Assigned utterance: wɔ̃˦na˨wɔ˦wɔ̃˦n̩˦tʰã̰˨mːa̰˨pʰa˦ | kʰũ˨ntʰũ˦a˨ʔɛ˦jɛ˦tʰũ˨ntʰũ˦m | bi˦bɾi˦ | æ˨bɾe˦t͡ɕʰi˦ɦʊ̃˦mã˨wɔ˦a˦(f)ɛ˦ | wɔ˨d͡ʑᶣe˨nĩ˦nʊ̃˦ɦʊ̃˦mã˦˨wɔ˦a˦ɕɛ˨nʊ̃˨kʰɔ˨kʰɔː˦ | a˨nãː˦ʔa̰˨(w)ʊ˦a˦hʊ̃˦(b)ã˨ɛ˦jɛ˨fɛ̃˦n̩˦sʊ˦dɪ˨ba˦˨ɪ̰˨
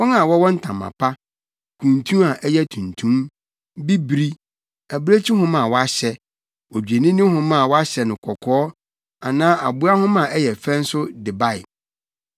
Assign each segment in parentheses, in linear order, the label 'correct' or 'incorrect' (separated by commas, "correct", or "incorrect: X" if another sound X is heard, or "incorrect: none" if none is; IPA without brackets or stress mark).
incorrect: ɕ, incorrect: b, incorrect: m